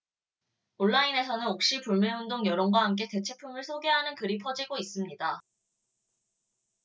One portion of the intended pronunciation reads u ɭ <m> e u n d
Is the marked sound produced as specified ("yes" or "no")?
yes